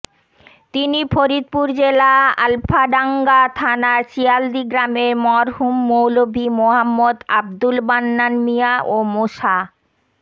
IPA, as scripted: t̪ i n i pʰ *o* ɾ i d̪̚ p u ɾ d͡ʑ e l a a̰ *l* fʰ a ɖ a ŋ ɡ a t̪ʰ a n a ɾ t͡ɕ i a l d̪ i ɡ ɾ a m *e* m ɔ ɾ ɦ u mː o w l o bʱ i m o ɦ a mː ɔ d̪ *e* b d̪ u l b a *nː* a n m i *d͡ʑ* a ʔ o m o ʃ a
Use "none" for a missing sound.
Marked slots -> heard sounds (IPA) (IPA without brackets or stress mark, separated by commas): o, l, e, a, nː, none